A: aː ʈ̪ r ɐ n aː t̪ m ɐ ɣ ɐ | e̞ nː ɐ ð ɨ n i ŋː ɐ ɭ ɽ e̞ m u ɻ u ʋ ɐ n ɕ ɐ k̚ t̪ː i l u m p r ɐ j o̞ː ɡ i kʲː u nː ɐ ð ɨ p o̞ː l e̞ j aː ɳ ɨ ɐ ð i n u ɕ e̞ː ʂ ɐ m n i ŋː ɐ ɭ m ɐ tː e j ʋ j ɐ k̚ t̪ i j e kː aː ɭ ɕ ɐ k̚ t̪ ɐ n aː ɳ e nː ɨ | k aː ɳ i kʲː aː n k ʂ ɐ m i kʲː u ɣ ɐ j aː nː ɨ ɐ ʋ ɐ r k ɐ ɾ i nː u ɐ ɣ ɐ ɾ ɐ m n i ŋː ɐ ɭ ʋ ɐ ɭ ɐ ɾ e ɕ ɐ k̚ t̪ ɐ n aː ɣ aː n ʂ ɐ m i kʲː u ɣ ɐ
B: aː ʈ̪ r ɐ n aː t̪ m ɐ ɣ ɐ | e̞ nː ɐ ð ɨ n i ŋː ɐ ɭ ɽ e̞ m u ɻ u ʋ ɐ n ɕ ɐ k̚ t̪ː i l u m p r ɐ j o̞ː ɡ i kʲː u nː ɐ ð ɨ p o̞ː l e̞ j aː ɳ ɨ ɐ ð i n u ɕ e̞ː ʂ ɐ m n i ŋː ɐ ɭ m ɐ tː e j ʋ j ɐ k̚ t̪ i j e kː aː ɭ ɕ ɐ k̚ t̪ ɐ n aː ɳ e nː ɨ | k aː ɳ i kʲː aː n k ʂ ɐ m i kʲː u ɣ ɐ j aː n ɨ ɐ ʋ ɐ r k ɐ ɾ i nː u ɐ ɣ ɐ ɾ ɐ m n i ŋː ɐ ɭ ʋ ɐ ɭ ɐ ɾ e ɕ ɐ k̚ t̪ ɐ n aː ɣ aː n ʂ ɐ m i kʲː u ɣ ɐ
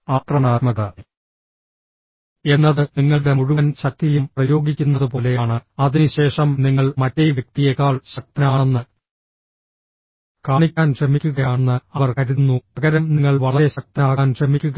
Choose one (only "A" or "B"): A